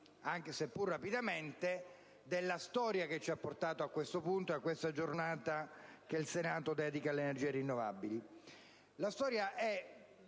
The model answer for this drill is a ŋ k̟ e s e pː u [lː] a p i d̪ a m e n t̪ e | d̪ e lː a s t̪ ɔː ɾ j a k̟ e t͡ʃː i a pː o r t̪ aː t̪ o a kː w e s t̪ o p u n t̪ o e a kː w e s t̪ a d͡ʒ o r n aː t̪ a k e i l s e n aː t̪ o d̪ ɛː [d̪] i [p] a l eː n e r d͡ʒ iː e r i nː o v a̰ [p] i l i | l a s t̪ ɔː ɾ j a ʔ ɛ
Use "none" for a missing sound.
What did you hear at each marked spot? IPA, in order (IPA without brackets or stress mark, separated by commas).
rː, d̪, k, b